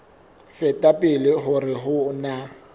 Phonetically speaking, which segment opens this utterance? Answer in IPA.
f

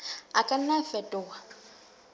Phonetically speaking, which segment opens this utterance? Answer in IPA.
a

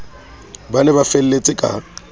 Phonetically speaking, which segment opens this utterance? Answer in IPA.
b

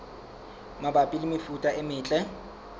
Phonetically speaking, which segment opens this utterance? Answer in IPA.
m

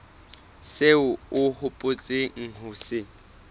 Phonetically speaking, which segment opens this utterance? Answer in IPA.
s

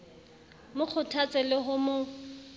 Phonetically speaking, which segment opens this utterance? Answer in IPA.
m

